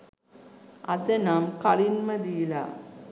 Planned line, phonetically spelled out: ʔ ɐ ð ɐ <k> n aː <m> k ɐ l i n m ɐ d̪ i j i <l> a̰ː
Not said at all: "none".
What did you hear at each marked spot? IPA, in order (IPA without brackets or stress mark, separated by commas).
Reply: none, m, l